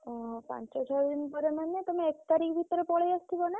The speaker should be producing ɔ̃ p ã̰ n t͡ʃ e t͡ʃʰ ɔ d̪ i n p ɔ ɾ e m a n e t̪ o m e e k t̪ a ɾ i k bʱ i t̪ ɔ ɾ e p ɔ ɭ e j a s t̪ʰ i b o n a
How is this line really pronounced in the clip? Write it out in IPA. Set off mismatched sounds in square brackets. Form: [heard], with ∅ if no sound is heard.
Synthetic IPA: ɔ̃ p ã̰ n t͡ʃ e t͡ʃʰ ɔ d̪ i n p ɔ ɾ e m a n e t̪ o m e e k t̪ a ɾ i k bʱ i t̪ ɔ ɾ e p ɔ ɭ e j a s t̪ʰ i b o n a